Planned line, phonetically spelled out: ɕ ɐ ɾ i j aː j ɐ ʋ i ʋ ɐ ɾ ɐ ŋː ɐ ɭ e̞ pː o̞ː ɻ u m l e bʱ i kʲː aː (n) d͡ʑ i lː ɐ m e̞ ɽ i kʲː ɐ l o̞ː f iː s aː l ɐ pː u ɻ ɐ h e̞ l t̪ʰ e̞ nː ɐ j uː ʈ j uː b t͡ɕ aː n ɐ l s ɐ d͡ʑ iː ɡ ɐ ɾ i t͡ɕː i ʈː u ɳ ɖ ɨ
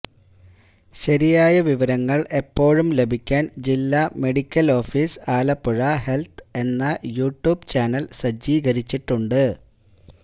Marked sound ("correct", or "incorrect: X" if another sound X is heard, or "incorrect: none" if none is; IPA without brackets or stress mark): correct